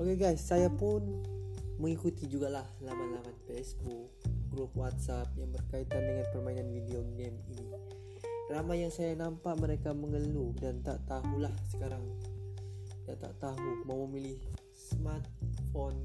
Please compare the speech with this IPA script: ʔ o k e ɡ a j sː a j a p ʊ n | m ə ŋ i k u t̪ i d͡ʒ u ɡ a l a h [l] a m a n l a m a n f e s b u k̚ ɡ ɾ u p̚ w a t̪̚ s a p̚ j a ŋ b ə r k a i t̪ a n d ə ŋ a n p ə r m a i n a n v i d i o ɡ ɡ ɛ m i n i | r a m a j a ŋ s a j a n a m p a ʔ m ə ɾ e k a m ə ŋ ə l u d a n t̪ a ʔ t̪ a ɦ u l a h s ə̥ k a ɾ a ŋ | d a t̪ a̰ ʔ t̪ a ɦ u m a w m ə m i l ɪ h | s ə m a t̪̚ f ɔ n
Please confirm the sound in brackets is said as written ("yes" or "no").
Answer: yes